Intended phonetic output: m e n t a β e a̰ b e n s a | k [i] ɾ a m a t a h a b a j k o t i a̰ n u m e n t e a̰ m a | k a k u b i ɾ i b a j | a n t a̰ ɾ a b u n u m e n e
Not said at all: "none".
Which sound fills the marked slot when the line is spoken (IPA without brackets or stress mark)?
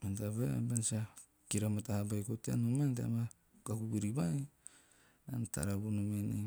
i